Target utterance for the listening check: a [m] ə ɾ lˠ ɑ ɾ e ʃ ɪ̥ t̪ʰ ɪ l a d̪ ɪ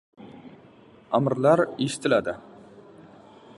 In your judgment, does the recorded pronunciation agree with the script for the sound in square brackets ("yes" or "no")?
yes